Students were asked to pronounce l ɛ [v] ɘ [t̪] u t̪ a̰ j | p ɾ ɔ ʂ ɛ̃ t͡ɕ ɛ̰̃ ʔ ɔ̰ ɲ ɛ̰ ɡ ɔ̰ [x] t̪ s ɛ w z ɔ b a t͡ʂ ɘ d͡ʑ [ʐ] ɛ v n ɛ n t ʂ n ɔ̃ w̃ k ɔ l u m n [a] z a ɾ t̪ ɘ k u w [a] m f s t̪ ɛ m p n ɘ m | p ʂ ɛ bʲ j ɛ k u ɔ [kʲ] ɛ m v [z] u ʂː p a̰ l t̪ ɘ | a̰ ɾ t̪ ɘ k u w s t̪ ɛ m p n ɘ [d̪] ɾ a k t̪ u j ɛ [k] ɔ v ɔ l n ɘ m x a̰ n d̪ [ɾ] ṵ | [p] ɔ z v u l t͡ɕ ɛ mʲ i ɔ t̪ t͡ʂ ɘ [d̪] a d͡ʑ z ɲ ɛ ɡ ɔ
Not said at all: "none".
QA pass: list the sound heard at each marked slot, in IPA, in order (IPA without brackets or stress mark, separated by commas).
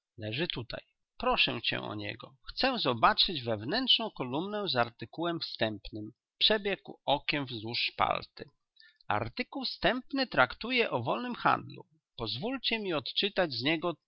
ʐ, t̪, x, v, ɛ, ɛ, kʲ, z, t̪, ʔ, l, p, t̪